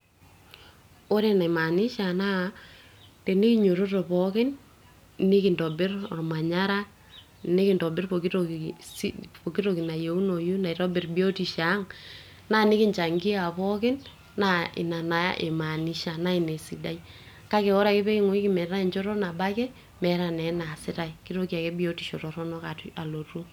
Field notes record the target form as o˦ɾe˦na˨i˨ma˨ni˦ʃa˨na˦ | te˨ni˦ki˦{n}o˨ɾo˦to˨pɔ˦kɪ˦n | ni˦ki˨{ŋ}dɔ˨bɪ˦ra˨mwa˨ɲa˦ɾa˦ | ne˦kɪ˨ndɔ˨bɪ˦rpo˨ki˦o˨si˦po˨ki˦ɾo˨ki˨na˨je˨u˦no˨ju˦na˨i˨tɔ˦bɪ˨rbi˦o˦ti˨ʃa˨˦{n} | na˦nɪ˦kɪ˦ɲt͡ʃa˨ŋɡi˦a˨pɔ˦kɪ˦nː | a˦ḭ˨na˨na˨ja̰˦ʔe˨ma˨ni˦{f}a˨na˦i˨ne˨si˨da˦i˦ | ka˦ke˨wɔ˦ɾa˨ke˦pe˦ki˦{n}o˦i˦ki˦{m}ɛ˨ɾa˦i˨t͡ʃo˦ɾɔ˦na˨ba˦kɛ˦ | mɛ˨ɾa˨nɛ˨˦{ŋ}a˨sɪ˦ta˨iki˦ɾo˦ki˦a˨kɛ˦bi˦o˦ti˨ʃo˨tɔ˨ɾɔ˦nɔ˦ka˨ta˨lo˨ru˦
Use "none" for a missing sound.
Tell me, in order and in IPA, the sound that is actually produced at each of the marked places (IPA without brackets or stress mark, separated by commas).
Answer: ɲ, n, ŋ, ʃ, ŋ, m, n